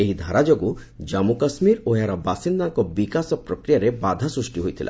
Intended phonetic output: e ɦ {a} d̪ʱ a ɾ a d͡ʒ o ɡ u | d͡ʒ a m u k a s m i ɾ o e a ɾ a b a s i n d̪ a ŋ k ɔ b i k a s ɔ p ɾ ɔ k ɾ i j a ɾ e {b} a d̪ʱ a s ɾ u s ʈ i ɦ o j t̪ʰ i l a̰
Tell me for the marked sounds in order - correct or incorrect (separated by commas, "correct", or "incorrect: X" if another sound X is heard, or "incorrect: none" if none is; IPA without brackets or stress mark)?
incorrect: i, correct